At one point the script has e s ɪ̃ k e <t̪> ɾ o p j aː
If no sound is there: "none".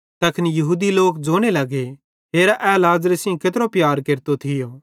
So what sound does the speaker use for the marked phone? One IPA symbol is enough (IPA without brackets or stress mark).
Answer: t̪